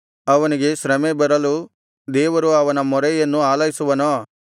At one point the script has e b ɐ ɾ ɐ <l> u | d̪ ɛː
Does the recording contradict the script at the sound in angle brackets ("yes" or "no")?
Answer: no